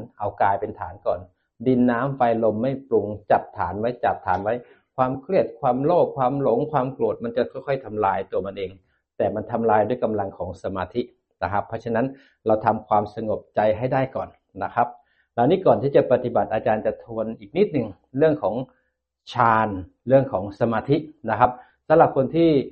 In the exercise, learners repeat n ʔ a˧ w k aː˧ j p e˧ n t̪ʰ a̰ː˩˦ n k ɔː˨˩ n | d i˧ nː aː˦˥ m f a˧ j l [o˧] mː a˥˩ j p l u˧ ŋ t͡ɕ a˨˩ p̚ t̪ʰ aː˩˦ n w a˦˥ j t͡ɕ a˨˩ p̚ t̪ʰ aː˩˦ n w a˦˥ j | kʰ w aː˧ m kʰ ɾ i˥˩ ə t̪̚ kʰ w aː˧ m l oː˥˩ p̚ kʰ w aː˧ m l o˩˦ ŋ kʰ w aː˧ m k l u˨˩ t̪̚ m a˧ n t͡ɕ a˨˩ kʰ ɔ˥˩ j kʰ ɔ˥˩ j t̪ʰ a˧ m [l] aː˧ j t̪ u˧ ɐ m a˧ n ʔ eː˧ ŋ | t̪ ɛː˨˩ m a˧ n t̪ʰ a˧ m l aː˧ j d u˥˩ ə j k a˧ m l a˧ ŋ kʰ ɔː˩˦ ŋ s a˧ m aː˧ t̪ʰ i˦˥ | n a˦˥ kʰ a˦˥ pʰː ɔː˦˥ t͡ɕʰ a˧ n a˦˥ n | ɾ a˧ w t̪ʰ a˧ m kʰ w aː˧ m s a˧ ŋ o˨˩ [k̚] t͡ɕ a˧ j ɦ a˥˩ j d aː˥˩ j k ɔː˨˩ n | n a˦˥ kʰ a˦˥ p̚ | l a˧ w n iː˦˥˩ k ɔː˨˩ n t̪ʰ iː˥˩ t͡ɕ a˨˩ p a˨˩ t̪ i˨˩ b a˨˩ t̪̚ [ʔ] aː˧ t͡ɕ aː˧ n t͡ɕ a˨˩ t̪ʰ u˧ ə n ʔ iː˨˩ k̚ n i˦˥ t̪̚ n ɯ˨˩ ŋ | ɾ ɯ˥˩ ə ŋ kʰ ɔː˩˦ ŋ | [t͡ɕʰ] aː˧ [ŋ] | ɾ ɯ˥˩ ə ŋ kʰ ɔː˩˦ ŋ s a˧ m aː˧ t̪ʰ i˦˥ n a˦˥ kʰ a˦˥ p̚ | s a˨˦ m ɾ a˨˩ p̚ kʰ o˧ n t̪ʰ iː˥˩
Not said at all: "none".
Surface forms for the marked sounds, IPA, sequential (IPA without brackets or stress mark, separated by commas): o˧, l, p̚, ʔ, t͡ɕʰ, n